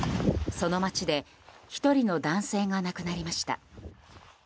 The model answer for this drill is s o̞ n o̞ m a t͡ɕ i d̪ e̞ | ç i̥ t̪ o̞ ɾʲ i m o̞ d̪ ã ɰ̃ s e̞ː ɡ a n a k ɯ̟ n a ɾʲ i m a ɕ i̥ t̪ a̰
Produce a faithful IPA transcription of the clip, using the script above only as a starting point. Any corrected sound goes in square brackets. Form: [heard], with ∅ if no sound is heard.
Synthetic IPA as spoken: s o̞ n o̞ m a t͡ɕ i d̪ e̞ | ç i̥ t̪ o̞ ɾʲ i [n] o̞ d̪ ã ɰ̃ s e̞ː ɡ a n a k ɯ̟ n a ɾʲ i m a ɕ i̥ t̪ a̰